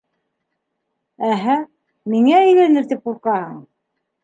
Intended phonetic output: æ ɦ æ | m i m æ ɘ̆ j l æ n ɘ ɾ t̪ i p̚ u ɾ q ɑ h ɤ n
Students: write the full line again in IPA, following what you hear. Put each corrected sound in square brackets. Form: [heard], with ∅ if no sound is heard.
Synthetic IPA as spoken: æ ɦ æ | m i [ŋ] æ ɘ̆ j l æ n ɘ ɾ t̪ i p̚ u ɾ q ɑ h ɤ [ɴ]